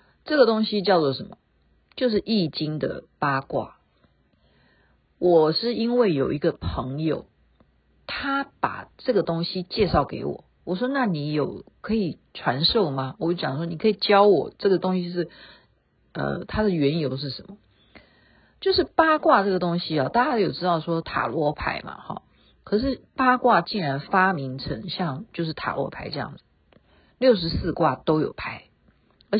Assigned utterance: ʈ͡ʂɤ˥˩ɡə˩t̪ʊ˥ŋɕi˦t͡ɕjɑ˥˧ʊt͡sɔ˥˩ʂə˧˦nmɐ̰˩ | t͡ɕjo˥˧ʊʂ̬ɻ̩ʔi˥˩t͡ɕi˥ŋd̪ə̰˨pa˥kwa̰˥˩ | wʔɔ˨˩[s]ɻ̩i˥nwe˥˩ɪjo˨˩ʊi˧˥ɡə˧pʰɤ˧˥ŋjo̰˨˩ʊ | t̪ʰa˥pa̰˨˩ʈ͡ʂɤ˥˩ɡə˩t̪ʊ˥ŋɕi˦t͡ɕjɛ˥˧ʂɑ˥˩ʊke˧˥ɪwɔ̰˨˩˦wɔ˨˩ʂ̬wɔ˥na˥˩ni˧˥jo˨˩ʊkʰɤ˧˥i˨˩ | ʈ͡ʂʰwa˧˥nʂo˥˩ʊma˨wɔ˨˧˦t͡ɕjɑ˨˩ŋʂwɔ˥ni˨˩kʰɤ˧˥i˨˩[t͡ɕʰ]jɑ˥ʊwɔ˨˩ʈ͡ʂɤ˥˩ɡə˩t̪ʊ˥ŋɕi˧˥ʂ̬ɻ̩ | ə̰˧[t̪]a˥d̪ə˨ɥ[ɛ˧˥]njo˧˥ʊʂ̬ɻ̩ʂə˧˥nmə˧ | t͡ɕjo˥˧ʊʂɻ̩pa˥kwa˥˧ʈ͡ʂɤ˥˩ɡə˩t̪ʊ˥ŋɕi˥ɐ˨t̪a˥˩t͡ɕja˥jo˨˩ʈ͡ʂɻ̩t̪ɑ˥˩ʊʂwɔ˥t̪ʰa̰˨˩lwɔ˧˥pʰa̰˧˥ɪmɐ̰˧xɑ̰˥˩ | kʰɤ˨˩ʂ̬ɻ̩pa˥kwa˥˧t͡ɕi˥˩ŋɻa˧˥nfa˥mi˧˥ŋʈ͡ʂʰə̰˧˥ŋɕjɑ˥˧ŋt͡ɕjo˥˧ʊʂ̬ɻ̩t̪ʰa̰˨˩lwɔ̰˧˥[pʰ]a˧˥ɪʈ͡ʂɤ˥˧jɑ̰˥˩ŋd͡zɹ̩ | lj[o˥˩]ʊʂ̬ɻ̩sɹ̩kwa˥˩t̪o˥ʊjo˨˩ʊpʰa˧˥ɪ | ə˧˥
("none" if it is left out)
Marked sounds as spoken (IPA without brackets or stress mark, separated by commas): ʂ, t͡ɕ, t̪ʰ, ɛ˧˥, pʰ, o˥˩